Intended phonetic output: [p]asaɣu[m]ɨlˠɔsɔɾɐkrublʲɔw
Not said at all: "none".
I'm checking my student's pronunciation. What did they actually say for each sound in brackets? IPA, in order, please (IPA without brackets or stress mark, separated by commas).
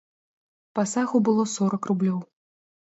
p, b